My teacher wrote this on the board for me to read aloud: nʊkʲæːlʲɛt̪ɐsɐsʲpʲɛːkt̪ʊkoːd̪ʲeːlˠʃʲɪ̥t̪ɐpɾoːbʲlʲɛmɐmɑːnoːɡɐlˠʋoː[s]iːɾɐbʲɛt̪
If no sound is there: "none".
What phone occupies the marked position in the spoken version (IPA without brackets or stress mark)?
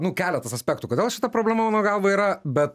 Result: none